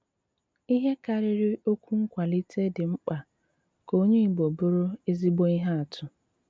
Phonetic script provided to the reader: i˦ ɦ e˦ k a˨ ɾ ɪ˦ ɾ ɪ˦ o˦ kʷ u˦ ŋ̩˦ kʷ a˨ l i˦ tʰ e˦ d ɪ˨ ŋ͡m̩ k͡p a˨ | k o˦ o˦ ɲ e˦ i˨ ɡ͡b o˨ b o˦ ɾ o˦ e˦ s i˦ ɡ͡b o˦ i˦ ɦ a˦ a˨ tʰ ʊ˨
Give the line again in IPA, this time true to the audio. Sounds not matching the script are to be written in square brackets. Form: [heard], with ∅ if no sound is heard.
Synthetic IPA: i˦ ɦ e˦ k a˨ ɾ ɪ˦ ɾ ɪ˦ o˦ kʷ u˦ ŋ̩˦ kʷ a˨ l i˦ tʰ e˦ d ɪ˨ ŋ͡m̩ k͡p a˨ | k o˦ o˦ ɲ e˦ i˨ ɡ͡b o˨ b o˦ ɾ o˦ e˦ [z] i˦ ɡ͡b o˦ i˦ ɦ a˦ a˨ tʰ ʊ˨